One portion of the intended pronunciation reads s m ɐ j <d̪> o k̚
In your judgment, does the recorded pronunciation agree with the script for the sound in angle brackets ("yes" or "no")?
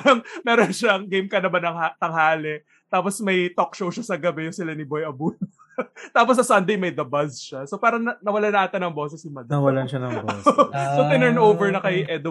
no